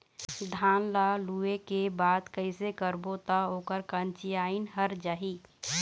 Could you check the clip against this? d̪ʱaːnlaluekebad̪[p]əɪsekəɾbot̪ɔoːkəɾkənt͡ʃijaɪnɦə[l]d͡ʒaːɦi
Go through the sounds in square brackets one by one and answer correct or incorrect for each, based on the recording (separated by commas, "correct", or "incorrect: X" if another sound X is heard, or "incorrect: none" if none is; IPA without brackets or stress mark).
incorrect: k, incorrect: ɾ